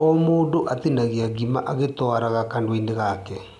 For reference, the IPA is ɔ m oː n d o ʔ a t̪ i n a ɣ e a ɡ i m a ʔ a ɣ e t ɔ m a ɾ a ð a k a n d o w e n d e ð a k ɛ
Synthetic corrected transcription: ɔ m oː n d o ʔ a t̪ i n a ɣ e a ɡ i m a ʔ a ɣ e t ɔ a ɾ a ɣ a k a n d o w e n d e ɣ a k ɛ